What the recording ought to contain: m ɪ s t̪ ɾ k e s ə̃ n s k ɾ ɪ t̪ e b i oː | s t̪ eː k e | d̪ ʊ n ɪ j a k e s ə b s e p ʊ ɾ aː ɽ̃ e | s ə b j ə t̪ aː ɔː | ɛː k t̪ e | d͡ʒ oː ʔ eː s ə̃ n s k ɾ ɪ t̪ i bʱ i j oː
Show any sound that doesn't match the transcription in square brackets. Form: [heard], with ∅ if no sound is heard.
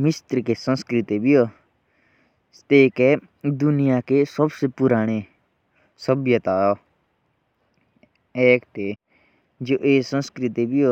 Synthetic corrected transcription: m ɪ s t̪ ɾ k e s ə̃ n s k ɾ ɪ t̪ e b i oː | s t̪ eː k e | d̪ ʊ n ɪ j a k e s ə b s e p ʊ ɾ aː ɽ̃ e | s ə b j ə t̪ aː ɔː | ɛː k t̪ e | d͡ʒ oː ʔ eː s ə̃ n s k ɾ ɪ t̪ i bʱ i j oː